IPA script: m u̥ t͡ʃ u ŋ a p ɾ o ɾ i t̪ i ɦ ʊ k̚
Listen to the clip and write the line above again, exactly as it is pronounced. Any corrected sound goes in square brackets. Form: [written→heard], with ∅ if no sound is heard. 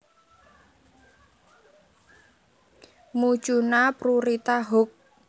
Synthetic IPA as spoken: m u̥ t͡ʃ u [ŋ→n] a p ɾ [o→u] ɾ i t̪ [i→a] ɦ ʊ k̚